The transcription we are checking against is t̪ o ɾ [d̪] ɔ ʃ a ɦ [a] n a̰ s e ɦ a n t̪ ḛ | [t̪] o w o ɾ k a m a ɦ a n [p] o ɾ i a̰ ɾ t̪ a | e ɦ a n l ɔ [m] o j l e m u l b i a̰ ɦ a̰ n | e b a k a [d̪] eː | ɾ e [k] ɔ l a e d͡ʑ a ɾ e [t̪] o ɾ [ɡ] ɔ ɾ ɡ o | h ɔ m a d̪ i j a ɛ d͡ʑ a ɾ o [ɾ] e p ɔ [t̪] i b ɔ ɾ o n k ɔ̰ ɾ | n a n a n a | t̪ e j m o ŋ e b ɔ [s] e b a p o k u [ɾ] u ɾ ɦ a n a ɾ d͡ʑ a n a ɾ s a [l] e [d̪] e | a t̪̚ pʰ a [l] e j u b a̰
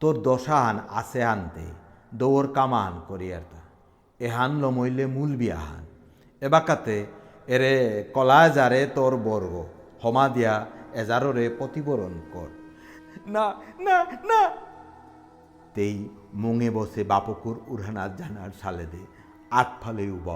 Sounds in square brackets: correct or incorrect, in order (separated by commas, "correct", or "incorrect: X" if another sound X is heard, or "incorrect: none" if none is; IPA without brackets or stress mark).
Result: correct, correct, incorrect: d̪, incorrect: k, correct, incorrect: t̪, correct, correct, incorrect: b, correct, correct, correct, correct, correct, correct, correct